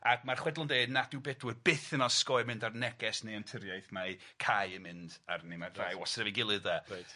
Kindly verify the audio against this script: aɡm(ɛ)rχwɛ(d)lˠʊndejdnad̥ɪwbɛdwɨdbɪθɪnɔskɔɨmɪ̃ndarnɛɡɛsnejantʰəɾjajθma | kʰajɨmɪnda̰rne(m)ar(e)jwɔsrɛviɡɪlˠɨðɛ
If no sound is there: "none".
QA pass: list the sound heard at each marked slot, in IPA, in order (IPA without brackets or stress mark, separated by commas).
a, d, m, a